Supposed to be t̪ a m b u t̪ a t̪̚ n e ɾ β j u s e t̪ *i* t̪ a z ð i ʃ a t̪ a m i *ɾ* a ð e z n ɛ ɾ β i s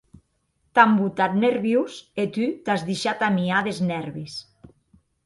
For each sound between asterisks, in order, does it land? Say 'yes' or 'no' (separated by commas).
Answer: no, no